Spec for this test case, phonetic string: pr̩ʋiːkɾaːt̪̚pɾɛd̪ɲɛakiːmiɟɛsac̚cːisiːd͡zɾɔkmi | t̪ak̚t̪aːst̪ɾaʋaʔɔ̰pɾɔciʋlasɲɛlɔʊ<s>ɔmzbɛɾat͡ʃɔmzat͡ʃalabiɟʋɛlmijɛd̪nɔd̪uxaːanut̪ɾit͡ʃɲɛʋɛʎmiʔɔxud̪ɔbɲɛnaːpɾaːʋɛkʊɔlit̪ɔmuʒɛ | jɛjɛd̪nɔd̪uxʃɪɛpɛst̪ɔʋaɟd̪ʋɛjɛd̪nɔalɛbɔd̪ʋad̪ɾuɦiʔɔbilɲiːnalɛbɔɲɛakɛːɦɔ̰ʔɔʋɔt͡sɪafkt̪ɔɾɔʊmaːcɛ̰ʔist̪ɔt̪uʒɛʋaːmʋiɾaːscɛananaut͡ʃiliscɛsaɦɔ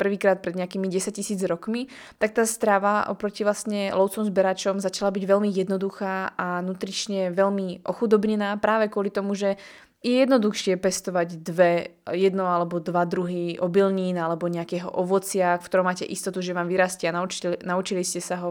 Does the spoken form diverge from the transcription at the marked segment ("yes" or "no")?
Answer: yes